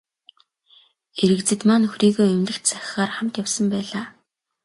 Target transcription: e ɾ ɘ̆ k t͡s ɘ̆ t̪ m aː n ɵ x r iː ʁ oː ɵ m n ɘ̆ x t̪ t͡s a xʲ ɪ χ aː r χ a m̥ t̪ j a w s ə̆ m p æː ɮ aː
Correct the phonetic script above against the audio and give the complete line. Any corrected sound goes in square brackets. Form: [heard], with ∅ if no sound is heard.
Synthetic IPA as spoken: e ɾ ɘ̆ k t͡s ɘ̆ t̪ m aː n ɵ x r iː [ɣ] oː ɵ m n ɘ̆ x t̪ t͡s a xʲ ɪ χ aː r χ a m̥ t̪ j a w s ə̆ m p æː ɮ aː